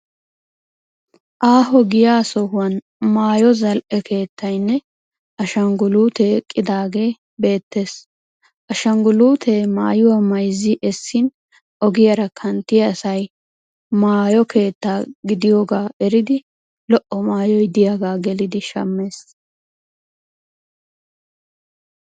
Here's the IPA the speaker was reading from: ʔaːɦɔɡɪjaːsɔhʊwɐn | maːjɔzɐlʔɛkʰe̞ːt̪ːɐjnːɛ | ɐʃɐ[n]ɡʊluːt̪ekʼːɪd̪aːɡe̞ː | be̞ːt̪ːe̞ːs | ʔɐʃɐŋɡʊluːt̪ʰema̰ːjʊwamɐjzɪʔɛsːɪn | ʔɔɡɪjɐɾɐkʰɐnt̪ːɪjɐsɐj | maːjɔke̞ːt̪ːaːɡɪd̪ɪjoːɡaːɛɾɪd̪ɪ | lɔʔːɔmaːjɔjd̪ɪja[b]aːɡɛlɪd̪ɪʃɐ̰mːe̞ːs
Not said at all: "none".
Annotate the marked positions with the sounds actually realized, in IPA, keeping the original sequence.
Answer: ŋ, ɡ

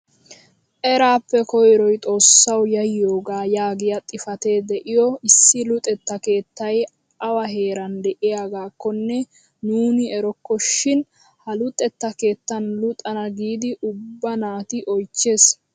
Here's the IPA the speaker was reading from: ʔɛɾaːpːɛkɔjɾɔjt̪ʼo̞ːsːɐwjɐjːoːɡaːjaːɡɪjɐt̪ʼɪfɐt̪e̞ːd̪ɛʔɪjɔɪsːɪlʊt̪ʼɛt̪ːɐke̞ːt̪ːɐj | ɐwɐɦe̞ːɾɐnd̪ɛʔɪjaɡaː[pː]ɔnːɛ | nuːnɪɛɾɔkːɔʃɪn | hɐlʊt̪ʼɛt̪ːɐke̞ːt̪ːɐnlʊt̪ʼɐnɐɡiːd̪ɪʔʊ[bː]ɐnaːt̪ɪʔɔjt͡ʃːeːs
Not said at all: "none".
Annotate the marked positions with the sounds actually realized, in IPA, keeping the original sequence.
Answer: kː, bː

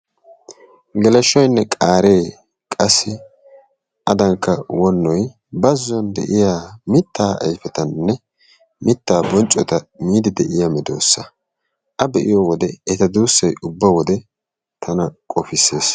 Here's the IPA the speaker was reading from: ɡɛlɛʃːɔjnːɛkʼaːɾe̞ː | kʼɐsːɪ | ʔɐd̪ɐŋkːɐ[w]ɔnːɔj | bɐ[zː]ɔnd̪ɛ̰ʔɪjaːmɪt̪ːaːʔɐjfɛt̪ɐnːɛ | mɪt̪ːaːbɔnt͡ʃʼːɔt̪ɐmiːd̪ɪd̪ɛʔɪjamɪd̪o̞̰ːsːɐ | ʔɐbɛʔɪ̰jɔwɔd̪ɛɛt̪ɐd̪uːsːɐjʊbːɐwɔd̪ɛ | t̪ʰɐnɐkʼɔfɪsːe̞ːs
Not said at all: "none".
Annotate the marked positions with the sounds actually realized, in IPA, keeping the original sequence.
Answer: w, zː

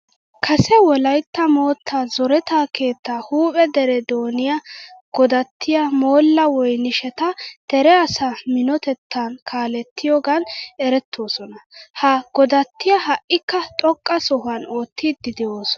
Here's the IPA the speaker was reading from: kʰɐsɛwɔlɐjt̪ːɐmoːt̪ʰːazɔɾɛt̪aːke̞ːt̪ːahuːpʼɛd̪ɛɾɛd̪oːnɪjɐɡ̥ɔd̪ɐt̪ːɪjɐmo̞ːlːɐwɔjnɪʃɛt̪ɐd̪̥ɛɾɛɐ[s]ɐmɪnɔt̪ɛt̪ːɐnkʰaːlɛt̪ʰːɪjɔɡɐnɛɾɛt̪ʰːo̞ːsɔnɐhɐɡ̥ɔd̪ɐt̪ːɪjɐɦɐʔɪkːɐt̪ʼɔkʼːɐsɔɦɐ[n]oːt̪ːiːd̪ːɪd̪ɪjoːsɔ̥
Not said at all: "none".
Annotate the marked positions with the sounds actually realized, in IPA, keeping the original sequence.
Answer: s, n

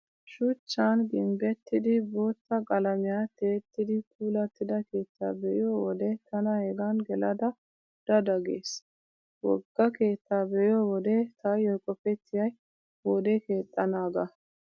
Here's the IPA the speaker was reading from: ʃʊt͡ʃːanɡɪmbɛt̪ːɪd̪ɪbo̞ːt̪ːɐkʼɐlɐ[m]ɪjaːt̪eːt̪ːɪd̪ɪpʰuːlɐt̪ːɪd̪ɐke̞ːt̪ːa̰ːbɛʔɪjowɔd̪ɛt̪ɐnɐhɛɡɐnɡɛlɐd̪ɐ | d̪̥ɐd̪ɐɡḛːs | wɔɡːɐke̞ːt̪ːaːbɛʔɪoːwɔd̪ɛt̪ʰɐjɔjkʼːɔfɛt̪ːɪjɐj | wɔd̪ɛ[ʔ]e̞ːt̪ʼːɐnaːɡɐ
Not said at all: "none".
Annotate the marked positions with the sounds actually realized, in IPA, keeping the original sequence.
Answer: m, k

